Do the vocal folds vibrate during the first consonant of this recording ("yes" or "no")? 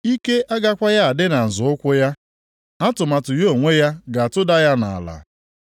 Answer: no